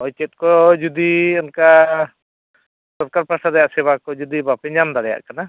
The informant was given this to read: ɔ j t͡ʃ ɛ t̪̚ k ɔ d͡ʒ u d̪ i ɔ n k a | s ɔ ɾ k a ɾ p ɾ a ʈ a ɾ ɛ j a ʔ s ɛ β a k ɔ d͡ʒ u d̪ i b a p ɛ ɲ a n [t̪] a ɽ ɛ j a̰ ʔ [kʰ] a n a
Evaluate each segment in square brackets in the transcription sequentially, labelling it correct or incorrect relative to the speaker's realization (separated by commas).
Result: incorrect, incorrect